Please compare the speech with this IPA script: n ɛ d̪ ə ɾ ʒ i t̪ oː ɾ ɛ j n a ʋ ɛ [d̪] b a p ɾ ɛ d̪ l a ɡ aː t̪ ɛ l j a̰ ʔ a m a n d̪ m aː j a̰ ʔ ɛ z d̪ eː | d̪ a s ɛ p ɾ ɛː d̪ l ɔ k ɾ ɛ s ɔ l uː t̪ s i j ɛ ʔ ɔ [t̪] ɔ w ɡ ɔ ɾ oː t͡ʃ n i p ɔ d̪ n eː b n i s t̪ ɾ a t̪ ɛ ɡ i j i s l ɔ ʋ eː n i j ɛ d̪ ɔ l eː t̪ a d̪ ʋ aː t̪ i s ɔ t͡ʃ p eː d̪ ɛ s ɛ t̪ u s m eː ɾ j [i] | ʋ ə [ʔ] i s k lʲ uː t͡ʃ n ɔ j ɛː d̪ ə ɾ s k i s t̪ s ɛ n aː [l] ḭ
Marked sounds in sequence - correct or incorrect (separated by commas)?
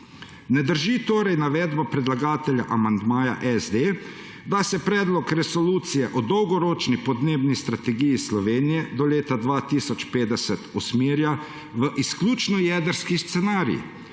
correct, incorrect, incorrect, correct, incorrect